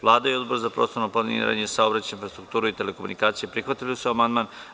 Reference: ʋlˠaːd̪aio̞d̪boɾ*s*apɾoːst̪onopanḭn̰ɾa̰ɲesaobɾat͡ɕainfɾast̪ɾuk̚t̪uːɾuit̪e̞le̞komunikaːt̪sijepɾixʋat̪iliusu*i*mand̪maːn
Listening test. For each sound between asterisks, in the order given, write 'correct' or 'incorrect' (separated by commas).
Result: incorrect, incorrect